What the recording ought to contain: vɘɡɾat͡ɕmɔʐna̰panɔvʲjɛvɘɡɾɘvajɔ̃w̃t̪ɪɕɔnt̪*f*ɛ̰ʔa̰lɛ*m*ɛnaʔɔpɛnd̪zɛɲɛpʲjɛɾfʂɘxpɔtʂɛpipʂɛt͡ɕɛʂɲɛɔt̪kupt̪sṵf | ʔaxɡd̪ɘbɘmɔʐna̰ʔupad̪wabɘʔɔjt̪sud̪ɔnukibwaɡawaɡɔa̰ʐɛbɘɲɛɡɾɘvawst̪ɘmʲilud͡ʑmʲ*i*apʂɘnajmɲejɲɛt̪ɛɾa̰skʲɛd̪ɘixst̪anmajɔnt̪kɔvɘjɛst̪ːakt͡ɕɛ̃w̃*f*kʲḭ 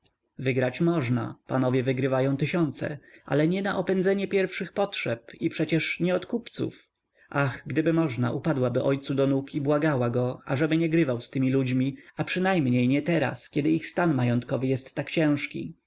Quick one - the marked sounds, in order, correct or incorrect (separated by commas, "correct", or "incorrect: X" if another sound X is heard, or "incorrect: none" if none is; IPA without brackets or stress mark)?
incorrect: s, incorrect: ɲ, correct, incorrect: ʂ